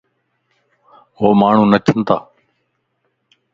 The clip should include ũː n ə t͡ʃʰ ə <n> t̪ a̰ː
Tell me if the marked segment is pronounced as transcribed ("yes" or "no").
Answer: yes